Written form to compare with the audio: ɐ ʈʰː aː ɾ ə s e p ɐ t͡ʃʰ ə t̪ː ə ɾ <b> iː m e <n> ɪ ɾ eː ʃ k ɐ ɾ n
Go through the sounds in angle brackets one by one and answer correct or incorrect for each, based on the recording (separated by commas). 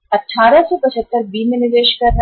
correct, correct